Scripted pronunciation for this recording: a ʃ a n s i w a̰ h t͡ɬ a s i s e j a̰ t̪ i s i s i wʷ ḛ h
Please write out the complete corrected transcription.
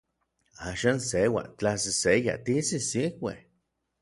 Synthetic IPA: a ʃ a n s e w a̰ t͡ɬ a s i s e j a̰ t̪ i s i s i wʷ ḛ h